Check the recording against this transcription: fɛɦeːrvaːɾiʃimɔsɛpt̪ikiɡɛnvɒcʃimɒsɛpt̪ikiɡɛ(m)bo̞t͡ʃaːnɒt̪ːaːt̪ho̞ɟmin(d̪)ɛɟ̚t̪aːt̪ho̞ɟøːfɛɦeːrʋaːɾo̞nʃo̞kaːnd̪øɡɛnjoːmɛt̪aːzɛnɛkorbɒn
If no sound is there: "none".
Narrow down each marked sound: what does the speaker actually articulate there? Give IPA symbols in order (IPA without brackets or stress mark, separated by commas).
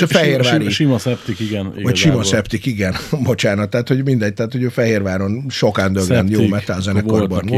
n, d̪